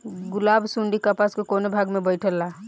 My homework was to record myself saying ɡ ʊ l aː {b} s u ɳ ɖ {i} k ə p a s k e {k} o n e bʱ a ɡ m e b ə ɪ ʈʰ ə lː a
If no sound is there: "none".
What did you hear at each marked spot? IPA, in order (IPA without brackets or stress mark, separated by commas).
b, i, k